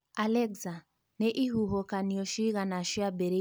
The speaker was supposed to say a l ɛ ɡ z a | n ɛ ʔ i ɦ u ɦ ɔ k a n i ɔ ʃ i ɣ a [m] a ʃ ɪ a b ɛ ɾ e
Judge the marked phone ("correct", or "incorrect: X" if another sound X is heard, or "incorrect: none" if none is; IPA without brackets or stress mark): incorrect: n